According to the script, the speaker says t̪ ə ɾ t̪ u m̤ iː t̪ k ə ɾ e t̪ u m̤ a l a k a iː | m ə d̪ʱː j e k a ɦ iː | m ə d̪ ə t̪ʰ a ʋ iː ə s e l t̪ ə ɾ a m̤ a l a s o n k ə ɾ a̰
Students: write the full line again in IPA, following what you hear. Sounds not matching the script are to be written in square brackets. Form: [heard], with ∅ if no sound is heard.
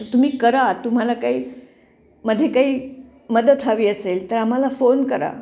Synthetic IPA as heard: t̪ ə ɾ t̪ u m̤ iː [∅] k ə ɾ [a] t̪ u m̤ a l a k a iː | m ə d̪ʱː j e k a ɦ iː | m ə d̪ ə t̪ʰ a ʋ iː ə s e l t̪ ə ɾ a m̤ a l a [f] o n k ə ɾ a̰

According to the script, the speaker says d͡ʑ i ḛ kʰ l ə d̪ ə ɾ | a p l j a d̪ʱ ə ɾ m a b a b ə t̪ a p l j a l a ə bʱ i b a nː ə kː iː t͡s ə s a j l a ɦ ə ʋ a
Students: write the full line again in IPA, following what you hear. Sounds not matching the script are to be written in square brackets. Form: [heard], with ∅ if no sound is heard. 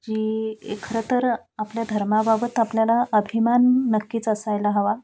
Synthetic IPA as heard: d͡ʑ i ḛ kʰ [ɾ] ə [t̪] ə ɾ | a p l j a d̪ʱ ə ɾ m a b a b ə t̪ a p l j a l a ə bʱ i [m] a nː ə kː iː t͡s ə s a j l a ɦ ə ʋ a

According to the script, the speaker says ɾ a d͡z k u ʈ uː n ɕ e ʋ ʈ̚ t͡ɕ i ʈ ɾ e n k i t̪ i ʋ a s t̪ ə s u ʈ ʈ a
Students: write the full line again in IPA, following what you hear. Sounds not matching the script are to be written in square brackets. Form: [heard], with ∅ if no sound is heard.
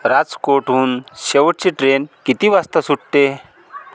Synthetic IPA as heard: ɾ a d͡z k [o] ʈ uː n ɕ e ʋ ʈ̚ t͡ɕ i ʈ ɾ e n k i t̪ i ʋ a s t̪ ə s u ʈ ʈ [e]

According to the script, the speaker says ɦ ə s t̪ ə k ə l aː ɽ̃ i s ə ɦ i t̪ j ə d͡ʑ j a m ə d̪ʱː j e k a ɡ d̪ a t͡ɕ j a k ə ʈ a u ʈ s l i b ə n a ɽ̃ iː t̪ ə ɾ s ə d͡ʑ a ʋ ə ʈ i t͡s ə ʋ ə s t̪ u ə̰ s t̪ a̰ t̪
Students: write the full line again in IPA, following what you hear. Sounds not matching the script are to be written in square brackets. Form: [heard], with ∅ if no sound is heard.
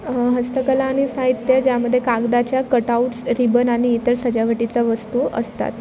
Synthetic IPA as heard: ɦ ə s t̪ ə k ə l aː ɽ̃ i s [a] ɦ i t̪ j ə d͡ʑ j a m ə d̪ʱː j e k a ɡ d̪ a t͡ɕ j a k ə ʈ a u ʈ s [ɾ] i b ə n a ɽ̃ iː t̪ ə ɾ s ə d͡ʑ a ʋ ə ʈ i t͡s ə ʋ ə s t̪ u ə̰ s t̪ a̰ t̪

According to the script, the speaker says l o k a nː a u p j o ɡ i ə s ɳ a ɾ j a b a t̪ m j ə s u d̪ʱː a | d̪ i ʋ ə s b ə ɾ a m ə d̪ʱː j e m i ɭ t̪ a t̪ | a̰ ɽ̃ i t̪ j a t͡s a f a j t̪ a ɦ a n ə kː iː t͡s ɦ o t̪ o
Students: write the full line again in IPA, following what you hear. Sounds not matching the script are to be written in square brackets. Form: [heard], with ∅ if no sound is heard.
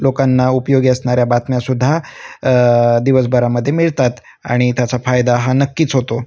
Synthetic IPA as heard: l o k a nː a u p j o ɡ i ə s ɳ a ɾ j a b a t̪ m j [a] s u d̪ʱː a | d̪ i ʋ ə s b ə ɾ a m ə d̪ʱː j e m i ɭ t̪ a t̪ | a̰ ɽ̃ i t̪ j a t͡s a f a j [d̪] a ɦ a n ə kː iː t͡s ɦ o t̪ o

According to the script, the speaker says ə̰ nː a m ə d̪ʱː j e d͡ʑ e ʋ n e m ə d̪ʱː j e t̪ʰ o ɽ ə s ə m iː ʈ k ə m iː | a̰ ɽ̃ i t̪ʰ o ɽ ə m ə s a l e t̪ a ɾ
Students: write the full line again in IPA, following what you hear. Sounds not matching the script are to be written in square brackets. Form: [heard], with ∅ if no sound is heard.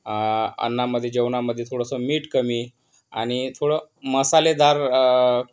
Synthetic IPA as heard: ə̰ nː a m ə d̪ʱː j e d͡ʑ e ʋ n [a] m ə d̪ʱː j e t̪ʰ o ɽ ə s ə m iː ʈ k ə m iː | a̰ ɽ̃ i t̪ʰ o ɽ ə m ə s a l e [d̪] a ɾ

